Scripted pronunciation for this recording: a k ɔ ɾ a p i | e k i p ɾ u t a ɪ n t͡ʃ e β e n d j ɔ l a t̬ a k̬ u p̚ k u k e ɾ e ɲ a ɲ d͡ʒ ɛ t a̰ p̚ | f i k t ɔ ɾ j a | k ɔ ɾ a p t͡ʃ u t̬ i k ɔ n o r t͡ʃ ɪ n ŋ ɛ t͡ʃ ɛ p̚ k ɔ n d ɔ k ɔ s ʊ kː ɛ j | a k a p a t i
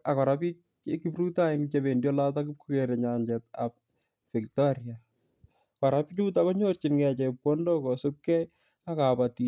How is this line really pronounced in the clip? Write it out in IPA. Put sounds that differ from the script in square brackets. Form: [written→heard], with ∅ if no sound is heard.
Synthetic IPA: a k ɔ ɾ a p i | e k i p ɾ u t a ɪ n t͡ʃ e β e n d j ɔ l a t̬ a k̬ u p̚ k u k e ɾ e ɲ a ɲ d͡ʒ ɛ t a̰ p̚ | f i k t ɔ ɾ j a | k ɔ ɾ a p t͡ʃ u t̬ [i→a] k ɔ [n→ɲ] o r t͡ʃ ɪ n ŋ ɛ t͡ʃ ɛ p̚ k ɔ n d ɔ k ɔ s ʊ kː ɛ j | a k a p a t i